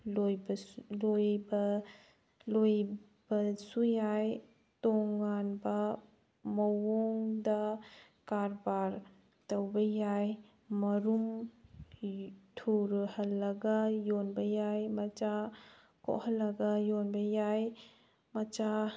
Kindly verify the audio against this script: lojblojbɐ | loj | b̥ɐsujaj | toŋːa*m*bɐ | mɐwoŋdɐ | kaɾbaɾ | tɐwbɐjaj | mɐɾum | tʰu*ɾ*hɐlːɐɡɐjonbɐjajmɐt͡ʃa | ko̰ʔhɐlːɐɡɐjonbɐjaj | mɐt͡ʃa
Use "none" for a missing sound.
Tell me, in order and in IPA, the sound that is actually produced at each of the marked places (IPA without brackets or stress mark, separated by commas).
n, ɾ